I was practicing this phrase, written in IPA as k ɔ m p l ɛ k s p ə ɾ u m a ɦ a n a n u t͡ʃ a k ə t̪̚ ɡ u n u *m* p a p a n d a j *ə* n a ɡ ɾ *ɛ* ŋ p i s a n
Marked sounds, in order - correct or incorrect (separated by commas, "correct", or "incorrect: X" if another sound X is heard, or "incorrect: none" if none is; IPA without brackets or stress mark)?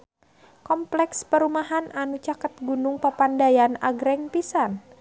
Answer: incorrect: ŋ, incorrect: a, correct